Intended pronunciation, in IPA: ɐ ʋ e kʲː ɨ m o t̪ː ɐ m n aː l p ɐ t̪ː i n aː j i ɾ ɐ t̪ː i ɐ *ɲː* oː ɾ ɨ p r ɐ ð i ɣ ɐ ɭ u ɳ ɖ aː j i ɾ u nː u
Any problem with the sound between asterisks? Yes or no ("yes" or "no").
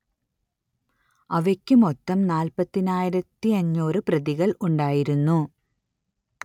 no